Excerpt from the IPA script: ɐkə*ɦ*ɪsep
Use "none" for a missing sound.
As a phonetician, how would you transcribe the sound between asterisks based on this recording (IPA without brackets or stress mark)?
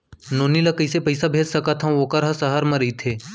none